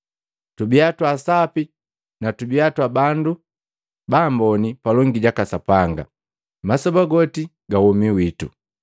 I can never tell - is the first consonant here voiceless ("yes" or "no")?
yes